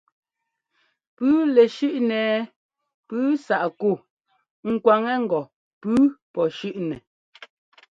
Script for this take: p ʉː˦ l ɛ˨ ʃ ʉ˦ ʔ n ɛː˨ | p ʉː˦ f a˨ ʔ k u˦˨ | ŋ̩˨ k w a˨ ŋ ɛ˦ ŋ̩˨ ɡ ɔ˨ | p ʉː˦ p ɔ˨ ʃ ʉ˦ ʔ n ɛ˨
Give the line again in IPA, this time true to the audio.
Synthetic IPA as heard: p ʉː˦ l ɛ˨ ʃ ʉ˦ ʔ n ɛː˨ | p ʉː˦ s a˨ ʔ k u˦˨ | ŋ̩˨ k w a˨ ŋ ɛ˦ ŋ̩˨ ɡ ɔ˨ | p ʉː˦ p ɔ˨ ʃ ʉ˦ ʔ n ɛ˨